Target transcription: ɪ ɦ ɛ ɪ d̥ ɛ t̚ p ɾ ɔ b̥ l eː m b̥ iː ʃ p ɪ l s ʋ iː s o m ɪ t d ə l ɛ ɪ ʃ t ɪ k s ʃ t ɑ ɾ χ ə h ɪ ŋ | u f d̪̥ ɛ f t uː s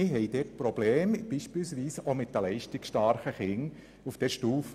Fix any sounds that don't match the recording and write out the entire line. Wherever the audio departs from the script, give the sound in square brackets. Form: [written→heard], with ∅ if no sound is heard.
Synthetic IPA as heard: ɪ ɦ ɛ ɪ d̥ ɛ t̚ p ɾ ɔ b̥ l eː m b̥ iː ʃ p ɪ l s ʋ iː s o m ɪ t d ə l ɛ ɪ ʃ t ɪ k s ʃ t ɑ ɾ χ ə [h→χ] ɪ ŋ | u f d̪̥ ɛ [f→ʃ] t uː [s→f]